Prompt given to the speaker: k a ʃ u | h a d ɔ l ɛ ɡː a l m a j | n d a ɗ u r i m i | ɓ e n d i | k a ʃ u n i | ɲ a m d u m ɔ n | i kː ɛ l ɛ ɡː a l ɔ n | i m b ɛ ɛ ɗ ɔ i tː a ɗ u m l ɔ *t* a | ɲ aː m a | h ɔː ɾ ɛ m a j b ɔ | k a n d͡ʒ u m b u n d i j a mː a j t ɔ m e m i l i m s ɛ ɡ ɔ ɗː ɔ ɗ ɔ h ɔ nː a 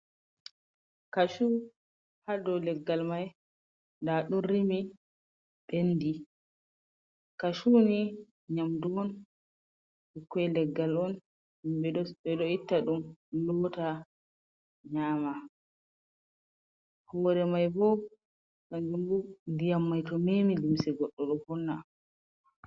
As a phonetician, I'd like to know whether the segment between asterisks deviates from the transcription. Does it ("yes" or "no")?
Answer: no